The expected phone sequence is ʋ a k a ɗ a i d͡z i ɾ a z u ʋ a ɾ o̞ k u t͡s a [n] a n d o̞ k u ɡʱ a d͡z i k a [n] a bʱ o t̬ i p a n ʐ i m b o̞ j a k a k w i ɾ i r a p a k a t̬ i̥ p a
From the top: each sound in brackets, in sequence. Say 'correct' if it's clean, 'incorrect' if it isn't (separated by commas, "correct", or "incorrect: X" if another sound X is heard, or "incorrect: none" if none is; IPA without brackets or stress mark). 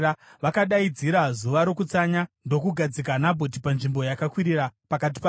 incorrect: ɲ, correct